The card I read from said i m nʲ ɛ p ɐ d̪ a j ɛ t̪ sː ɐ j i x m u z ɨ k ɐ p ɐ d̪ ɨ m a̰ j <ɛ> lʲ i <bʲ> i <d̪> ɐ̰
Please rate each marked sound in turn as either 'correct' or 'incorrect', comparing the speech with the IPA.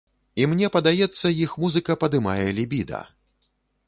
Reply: correct, correct, correct

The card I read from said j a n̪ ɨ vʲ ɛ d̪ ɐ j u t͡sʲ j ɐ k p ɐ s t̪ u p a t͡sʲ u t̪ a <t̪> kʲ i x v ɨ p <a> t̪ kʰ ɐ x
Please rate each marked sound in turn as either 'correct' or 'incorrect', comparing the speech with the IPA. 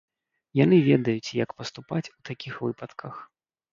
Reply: incorrect: none, incorrect: ɐ

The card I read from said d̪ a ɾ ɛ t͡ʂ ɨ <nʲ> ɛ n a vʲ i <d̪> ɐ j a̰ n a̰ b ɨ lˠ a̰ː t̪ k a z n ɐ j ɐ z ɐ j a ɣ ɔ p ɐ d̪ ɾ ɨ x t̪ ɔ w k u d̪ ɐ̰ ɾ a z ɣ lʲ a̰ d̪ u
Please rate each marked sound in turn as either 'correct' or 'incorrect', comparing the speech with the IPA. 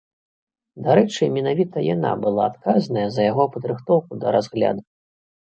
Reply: incorrect: mʲ, incorrect: t̪

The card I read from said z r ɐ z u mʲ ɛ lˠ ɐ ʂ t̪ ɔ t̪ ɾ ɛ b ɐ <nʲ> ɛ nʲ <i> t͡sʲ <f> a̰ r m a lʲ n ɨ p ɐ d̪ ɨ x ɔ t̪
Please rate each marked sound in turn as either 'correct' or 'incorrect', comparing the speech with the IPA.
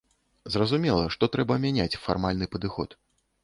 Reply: incorrect: mʲ, incorrect: a, correct

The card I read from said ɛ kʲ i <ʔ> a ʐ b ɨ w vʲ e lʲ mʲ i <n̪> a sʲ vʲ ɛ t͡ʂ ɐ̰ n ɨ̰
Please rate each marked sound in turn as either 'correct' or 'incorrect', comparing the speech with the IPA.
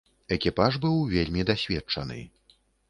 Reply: incorrect: p, incorrect: d̪

